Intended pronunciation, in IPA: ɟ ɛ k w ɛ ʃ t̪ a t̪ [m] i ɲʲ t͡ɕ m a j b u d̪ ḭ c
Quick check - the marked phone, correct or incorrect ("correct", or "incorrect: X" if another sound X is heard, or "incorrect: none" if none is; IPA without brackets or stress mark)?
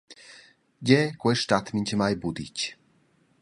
correct